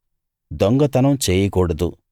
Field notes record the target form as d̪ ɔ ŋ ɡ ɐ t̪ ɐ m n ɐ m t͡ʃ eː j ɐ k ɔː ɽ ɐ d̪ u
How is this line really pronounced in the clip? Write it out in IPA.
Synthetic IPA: d̪ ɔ ŋ ɡ ɐ t̪ ɐ n ɐ m t͡ʃ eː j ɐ k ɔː ɽ ɐ d̪ u